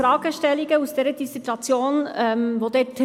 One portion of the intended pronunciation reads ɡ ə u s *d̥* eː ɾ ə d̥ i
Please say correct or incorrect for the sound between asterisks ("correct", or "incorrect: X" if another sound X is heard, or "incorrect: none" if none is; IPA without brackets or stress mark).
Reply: correct